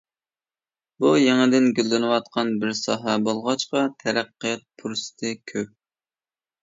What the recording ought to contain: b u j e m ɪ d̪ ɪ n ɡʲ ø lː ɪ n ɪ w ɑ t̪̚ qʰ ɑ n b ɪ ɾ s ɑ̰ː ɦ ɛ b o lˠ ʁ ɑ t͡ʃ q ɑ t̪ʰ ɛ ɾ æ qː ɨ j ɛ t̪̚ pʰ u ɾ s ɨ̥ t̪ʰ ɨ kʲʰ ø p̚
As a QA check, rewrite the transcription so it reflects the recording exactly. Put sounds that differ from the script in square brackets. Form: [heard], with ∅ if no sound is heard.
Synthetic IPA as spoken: b u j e [ŋ] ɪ d̪ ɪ n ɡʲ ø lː ɪ n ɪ w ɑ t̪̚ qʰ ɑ n b ɪ ɾ s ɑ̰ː ɦ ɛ b o lˠ ʁ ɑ t͡ʃ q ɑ t̪ʰ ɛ ɾ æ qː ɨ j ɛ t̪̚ pʰ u ɾ s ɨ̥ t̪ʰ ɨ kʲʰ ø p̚